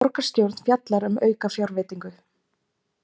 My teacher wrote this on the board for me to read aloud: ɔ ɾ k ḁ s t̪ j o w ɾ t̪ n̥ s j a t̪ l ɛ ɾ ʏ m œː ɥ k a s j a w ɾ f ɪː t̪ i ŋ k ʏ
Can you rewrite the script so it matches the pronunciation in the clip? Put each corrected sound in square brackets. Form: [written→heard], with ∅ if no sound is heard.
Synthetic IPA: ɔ ɾ k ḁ s t̪ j o w ɾ t̪ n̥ [s→f] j a t̪ l [ɛ→a] ɾ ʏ m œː ɥ k a [s→f] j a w ɾ [f→v] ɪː t̪ i ŋ k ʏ